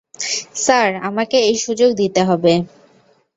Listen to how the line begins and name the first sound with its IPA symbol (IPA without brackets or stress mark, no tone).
s